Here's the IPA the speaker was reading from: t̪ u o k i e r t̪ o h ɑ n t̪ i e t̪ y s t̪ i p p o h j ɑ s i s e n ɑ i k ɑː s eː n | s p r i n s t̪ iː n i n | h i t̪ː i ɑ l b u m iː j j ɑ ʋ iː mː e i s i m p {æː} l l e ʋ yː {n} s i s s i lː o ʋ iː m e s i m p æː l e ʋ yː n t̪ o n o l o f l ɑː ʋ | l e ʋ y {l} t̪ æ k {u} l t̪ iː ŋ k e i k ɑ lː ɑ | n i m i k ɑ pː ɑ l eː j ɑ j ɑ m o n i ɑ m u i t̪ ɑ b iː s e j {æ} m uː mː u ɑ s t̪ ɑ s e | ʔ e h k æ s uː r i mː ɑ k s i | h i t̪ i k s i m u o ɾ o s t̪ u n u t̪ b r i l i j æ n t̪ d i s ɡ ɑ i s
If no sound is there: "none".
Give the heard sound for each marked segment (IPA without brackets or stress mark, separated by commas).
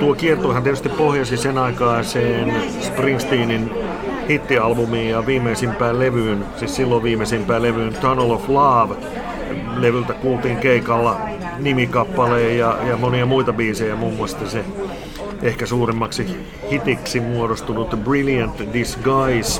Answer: æː, n, l, uː, æ